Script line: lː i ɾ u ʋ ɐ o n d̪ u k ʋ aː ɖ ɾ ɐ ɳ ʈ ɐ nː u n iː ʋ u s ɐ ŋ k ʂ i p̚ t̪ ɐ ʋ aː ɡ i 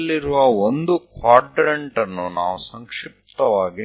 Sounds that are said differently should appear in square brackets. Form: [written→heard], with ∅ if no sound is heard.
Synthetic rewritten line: lː i ɾ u ʋ ɐ o n d̪ u k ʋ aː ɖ ɾ ɐ ɳ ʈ ɐ nː u n [iː→aː] ʋ u s ɐ ŋ k ʂ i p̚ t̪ ɐ ʋ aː ɡ i

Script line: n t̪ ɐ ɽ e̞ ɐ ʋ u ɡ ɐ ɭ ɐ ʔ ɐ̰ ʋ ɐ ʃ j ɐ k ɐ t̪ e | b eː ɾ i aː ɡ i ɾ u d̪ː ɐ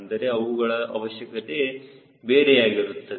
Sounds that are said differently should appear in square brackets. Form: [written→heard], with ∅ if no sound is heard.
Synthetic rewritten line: n [t̪→d̪] ɐ [ɽ→ɾ] e̞ ɐ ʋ u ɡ ɐ ɭ ɐ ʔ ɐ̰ ʋ ɐ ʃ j ɐ k ɐ t̪ e | b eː ɾ [i→e] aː ɡ i ɾ u [d̪ː→t̪ː] ɐ

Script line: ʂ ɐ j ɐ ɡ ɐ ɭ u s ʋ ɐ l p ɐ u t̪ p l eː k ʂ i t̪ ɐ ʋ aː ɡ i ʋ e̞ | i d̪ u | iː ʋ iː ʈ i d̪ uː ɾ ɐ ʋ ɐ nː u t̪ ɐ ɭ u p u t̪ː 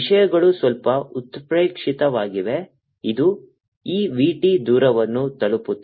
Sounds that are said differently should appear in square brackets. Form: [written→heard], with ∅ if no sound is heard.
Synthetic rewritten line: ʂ ɐ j ɐ ɡ ɐ ɭ u s ʋ ɐ l p ɐ u t̪ p [l→ɾ] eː k ʂ i t̪ ɐ ʋ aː ɡ i ʋ e̞ | i d̪ u | iː ʋ iː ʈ i d̪ uː ɾ ɐ ʋ ɐ nː u t̪ ɐ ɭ u p u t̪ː

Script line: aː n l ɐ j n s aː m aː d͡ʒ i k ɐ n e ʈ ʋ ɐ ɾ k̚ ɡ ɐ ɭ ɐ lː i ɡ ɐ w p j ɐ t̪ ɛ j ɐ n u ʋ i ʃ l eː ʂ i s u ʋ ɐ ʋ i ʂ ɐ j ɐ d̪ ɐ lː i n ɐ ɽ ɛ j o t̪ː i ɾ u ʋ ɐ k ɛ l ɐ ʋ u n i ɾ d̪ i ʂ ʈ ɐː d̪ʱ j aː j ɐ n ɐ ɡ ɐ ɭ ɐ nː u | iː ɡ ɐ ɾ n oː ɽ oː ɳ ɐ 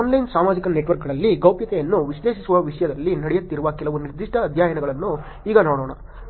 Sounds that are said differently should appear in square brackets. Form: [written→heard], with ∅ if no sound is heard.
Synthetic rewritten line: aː n l ɐ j n s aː m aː d͡ʒ i k ɐ n e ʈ ʋ ɐ ɾ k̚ ɡ ɐ ɭ ɐ lː i ɡ ɐ w p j ɐ t̪ ɛ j ɐ [n→nː] u ʋ i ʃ l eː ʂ i s u ʋ ɐ ʋ i ʂ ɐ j ɐ d̪ ɐ lː i n ɐ ɽ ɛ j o t̪ː i ɾ u ʋ ɐ k ɛ l ɐ ʋ u n i ɾ d̪ i ʂ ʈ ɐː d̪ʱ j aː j ɐ n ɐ ɡ ɐ ɭ ɐ nː u | iː ɡ ɐ [ɾ→∅] n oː ɽ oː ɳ ɐ

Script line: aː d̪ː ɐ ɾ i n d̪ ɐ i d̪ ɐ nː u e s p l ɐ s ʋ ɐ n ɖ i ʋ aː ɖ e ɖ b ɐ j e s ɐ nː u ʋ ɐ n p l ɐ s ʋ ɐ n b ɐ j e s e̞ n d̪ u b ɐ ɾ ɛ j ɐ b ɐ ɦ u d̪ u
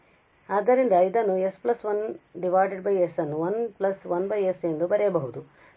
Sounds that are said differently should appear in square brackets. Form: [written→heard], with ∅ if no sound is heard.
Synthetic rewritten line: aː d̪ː ɐ ɾ i n d̪ ɐ i d̪ ɐ nː u e s p l ɐ s ʋ ɐ n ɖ i ʋ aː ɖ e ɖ b ɐ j e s ɐ nː u ʋ ɐ n p l ɐ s ʋ ɐ n b ɐ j e s e̞ n d̪ u b ɐ ɾ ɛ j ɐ b ɐ ɦ u d̪ u

